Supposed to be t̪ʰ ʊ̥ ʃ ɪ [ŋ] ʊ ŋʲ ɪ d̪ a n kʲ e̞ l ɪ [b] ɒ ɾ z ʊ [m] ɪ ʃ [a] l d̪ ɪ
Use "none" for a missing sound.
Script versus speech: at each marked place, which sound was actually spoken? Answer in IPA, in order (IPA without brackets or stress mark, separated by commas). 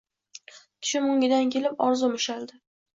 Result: m, p, m, a